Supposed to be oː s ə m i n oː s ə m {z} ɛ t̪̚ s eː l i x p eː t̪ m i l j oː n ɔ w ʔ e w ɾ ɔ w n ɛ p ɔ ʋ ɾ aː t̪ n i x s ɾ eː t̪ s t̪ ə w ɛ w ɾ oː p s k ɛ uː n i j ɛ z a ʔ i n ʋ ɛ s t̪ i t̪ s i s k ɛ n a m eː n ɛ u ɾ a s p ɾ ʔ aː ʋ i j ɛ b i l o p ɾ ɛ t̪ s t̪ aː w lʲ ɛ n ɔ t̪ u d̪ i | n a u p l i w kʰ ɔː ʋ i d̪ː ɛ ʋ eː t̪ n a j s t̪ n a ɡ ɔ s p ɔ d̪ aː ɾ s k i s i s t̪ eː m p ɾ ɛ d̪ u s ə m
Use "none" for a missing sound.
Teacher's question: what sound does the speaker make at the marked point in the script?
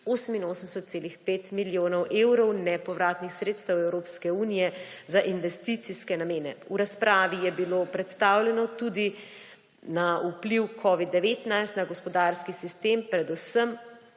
s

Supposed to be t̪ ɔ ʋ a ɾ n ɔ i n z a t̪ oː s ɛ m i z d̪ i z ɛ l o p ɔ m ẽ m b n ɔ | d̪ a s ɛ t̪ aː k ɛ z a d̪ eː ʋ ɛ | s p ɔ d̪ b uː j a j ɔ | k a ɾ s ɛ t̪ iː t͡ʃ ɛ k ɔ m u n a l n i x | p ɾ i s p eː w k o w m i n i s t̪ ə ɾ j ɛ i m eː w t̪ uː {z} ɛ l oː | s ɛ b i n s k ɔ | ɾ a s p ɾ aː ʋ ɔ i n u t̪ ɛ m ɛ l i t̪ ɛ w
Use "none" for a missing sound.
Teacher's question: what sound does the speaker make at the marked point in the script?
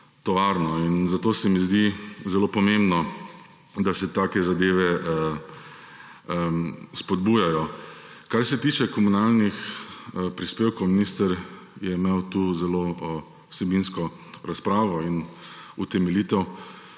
z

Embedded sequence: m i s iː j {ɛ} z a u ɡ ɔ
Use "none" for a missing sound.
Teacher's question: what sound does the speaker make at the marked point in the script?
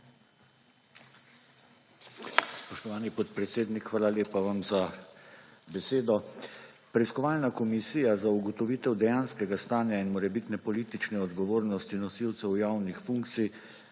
a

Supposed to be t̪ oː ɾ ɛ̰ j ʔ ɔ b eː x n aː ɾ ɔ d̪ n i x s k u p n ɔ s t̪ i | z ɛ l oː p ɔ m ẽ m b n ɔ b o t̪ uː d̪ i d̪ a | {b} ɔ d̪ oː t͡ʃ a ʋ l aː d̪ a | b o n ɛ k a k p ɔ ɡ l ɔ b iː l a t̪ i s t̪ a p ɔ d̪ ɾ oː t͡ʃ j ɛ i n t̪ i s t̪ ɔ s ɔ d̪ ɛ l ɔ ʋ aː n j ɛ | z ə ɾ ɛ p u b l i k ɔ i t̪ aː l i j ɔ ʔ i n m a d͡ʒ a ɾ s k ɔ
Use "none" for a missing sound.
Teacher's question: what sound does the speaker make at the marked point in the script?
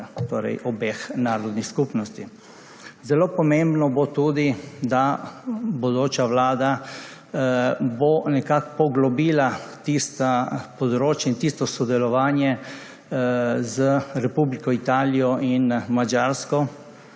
b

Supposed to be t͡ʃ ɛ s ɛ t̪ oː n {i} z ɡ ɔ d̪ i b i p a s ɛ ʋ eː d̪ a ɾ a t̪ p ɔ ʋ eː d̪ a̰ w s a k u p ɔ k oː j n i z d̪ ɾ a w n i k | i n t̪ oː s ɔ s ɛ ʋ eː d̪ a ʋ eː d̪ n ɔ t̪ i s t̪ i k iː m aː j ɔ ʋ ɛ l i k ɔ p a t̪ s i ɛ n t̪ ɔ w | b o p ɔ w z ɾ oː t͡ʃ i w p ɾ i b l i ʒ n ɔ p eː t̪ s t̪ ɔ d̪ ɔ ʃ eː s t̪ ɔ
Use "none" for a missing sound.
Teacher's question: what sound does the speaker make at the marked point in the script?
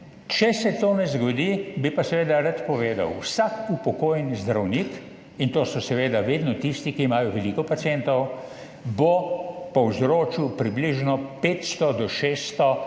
ɛ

